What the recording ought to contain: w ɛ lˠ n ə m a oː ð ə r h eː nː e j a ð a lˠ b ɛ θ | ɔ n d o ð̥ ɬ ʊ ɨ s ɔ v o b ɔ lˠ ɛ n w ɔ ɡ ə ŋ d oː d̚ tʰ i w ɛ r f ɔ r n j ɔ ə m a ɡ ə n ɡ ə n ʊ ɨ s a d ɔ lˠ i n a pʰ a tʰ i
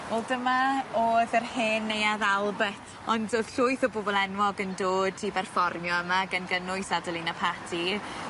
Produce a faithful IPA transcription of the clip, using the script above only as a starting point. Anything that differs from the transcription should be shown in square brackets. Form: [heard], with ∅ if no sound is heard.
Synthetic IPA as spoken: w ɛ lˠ [d] ə m a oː ð ə r h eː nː e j a ð a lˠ b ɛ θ | ɔ n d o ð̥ ɬ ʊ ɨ [θ] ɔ [b] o b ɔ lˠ ɛ n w ɔ ɡ ə [n] d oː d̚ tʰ i [b] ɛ r f ɔ r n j ɔ ə m a ɡ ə n ɡ ə n ʊ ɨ s a d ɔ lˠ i n a pʰ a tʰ i